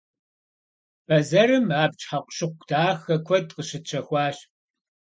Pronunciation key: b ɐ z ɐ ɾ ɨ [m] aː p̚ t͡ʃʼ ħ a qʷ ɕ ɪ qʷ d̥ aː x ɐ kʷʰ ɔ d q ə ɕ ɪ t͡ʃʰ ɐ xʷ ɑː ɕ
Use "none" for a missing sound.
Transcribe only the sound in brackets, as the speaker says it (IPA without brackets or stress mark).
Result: m